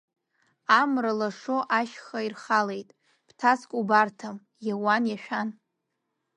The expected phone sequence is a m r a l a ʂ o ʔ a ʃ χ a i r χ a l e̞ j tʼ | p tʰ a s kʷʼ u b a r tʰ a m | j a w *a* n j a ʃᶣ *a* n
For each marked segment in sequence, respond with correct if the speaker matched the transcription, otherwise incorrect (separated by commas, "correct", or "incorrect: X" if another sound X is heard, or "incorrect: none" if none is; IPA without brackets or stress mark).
correct, correct